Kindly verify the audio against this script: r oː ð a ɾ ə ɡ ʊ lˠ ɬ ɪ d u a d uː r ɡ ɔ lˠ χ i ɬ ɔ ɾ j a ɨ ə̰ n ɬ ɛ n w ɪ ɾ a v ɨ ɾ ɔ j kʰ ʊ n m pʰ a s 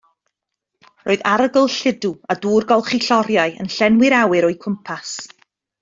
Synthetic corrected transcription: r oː ð a ɾ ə ɡ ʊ lˠ ɬ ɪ d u a d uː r ɡ ɔ lˠ χ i ɬ ɔ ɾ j a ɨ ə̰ n ɬ ɛ n w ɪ ɾ a w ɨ ɾ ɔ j kʰ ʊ m pʰ a s